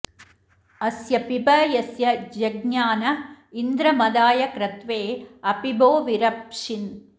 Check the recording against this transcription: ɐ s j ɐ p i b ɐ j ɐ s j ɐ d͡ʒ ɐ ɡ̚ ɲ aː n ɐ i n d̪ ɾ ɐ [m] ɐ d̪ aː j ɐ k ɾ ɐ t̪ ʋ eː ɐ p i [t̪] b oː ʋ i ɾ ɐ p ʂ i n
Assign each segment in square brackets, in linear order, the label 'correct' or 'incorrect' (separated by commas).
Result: correct, incorrect